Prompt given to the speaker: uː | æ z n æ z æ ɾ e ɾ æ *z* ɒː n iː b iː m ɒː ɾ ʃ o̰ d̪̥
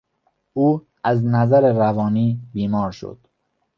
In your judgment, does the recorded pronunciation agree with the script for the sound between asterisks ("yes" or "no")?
no